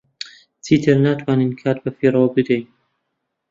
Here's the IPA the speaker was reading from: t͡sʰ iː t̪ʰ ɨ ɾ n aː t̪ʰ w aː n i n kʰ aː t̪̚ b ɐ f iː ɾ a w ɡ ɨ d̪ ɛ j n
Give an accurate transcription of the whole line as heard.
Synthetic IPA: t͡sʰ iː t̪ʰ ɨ ɾ n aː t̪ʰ w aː n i n kʰ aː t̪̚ b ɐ f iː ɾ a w b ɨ d̪ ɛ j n